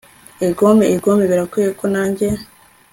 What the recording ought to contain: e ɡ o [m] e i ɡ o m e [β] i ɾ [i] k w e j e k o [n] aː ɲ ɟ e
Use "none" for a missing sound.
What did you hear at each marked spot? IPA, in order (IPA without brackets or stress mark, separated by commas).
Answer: m, β, a, n